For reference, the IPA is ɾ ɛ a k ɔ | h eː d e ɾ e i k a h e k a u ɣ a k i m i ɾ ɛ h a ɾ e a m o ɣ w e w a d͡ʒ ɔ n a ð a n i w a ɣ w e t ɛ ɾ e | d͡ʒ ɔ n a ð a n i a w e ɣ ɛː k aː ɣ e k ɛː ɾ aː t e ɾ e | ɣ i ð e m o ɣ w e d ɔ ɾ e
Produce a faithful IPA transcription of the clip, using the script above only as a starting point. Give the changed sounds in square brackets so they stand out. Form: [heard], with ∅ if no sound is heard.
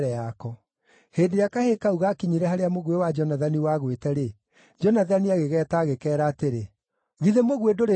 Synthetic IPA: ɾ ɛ a k ɔ | h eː d e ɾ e [a] k a h e k a u ɣ a k i [ɲ] i ɾ ɛ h a ɾ e a m o ɣ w e w a d͡ʒ ɔ n a ð a n i w a ɣ w e t ɛ ɾ e | d͡ʒ ɔ n a ð a n i a [ɣ] e ɣ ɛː [t] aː ɣ e k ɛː ɾ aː t e ɾ e | ɣ i ð e m o ɣ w e d [o] ɾ e